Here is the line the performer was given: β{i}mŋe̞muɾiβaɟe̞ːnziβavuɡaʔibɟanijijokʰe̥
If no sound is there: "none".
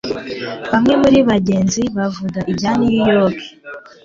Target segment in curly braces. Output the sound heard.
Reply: a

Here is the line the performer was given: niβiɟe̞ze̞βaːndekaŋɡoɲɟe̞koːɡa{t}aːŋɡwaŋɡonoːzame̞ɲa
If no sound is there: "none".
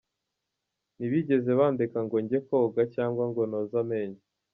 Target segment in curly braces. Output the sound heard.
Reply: c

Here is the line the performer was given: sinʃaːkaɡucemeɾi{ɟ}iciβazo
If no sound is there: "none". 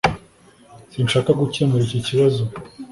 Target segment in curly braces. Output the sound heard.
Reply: c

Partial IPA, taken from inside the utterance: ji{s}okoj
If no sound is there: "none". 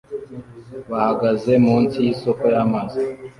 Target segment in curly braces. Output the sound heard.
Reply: s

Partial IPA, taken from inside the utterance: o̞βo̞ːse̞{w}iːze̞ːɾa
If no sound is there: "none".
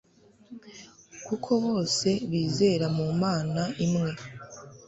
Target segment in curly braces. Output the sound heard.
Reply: β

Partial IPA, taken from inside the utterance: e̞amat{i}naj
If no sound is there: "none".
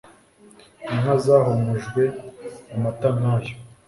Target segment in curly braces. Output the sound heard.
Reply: a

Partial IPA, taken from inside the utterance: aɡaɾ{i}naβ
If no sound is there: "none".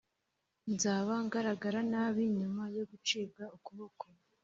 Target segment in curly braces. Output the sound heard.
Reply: a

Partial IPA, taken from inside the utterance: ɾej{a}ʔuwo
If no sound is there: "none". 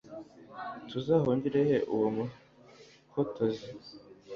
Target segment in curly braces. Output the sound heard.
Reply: e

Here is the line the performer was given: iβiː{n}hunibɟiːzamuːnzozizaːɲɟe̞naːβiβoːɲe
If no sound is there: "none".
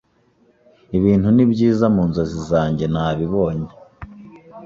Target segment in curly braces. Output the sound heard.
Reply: n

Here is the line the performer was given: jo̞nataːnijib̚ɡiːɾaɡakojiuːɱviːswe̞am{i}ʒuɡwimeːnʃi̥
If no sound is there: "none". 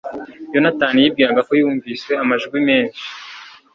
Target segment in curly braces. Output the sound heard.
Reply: a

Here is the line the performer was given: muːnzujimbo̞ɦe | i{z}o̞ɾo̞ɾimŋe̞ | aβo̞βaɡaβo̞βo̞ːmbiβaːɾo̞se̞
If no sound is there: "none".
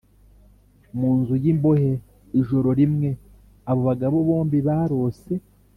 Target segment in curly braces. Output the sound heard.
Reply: ʒ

